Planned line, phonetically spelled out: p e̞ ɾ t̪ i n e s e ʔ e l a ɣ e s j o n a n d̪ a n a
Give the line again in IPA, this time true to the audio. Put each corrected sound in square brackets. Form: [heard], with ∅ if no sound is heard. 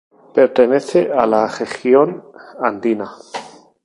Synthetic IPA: p e̞ ɾ t̪ [e] n e [θ] e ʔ [a] l a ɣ e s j o n a n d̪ [i] n a